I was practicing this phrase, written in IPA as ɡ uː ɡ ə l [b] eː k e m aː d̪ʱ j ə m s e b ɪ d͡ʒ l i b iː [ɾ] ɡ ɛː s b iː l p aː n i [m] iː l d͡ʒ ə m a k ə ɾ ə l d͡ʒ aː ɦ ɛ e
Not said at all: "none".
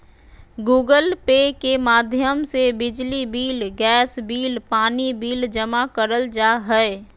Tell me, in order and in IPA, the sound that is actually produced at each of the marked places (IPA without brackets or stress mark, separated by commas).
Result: p, l, b